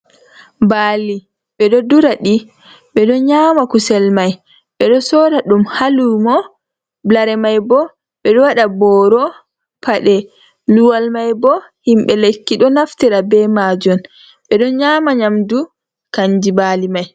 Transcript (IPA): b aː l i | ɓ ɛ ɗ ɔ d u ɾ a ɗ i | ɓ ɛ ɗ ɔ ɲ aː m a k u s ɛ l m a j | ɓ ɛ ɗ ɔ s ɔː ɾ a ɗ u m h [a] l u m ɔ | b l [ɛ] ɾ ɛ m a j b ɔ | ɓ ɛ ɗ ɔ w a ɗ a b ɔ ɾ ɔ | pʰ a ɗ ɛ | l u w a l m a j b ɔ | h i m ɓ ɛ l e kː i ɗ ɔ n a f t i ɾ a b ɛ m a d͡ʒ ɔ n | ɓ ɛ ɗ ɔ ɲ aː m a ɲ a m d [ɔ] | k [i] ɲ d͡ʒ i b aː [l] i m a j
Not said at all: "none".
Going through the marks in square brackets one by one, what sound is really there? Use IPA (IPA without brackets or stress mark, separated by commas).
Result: a, a, u, a, l